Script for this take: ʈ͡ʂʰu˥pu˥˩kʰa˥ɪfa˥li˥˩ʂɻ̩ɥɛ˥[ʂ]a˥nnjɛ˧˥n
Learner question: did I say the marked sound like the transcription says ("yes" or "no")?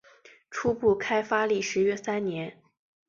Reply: no